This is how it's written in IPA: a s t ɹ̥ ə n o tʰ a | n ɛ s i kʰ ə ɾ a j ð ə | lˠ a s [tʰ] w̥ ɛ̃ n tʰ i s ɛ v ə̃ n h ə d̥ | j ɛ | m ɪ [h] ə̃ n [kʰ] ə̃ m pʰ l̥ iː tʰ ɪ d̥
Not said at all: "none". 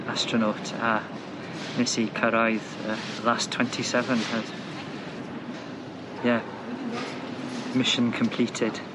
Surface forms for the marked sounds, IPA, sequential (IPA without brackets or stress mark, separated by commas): tʰ, ʃ, kʰ